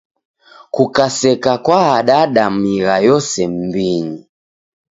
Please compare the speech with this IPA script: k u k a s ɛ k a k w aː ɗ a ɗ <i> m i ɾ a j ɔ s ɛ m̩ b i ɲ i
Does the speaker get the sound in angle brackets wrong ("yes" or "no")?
yes